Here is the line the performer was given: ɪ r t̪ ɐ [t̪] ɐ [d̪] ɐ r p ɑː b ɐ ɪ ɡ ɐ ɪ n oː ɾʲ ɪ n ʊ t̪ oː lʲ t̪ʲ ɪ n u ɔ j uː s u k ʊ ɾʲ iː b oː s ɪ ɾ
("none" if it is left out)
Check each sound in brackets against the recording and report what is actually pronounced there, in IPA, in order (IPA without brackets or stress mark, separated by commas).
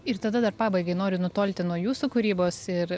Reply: d̪, d̪